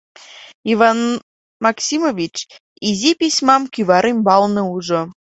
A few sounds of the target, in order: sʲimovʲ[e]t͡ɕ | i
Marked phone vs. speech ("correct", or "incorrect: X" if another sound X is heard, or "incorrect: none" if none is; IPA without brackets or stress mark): incorrect: i